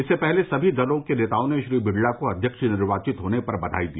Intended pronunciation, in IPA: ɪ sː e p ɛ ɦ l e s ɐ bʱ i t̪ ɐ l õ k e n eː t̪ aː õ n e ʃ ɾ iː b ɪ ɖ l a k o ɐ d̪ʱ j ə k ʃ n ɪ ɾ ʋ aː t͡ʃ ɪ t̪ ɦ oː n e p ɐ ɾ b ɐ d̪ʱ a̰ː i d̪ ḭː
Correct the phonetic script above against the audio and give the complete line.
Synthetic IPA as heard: ɪ sː e p ɛ ɦ l e s ɐ bʱ i d̪ ɐ l õ k e n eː t̪ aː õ n e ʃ ɾ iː b ɪ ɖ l a k o ɐ d̪ʱ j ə k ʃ n ɪ ɾ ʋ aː t͡ʃ ɪ t̪ ɦ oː n e p ɐ ɾ b ɐ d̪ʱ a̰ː i d̪ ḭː